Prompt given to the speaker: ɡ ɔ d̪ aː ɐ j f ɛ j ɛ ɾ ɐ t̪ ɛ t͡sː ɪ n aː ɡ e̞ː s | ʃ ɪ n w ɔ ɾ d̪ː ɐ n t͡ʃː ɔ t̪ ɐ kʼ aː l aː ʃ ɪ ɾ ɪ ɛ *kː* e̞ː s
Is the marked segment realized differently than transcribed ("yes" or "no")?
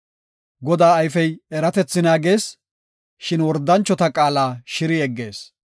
yes